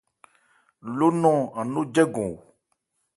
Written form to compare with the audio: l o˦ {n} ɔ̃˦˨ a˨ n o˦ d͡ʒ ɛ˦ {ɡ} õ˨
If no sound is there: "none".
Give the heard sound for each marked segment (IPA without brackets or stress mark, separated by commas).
n, ɡ